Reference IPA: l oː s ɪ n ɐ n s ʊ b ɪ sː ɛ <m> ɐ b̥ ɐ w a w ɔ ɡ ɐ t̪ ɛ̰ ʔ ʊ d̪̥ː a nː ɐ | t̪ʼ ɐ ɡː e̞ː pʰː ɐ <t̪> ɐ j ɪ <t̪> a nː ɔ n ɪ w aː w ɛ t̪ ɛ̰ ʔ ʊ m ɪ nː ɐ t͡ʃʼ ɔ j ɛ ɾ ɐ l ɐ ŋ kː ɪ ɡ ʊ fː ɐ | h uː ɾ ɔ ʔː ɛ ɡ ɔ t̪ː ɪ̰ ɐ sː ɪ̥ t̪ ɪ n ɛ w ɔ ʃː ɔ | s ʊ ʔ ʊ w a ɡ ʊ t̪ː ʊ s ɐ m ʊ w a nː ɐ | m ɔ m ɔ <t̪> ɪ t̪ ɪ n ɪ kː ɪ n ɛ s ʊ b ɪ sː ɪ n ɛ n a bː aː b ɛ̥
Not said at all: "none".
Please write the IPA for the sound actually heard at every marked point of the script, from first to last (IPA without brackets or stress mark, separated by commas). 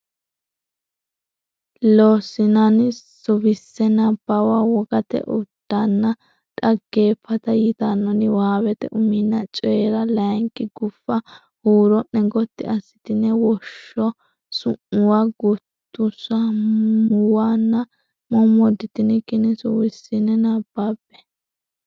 n, t̪, t̪, d̪